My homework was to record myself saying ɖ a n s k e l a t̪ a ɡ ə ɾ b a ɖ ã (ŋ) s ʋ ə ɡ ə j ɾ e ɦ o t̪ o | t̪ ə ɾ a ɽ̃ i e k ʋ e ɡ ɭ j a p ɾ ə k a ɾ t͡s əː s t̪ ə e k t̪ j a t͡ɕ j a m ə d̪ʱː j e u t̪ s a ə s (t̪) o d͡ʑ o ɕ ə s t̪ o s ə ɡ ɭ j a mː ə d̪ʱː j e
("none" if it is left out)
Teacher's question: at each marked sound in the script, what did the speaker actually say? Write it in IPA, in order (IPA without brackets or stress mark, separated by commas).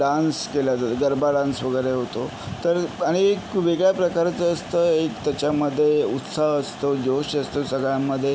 n, t̪